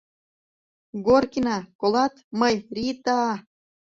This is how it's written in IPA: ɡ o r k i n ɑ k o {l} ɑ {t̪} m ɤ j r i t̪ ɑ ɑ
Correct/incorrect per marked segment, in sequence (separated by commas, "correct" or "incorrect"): correct, correct